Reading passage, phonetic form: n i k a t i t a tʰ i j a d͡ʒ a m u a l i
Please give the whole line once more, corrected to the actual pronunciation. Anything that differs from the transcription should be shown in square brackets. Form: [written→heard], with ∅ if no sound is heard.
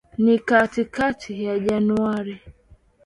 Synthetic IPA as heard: n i k a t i [t→k] a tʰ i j a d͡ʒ a [m→n] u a [l→ɾ] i